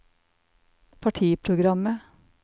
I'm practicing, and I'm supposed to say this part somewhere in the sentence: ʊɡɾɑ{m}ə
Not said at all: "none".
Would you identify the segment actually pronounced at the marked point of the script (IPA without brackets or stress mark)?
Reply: m